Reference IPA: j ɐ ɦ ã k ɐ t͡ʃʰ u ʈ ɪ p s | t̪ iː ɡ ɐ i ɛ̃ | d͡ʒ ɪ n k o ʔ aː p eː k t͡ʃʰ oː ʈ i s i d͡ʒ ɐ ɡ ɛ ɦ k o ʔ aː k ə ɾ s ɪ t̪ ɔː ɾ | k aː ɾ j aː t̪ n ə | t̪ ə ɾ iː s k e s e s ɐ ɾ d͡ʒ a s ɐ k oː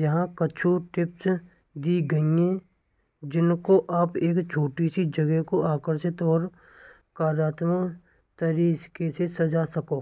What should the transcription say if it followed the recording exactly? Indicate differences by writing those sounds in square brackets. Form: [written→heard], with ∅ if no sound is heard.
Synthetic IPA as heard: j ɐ ɦ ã k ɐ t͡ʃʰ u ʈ ɪ p s | [t̪→d̪] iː ɡ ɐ i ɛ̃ | d͡ʒ ɪ n k o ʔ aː p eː k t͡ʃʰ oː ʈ i s i d͡ʒ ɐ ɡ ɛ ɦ k o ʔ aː k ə ɾ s ɪ t̪ ɔː ɾ | k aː ɾ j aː t̪ [n→m] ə | t̪ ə ɾ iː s k e s e s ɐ [ɾ→∅] d͡ʒ a s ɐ k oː